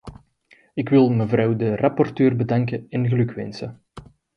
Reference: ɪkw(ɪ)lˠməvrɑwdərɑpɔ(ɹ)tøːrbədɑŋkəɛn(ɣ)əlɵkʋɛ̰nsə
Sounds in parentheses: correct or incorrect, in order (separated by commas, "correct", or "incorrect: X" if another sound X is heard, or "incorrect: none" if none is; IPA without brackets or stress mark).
correct, incorrect: r, correct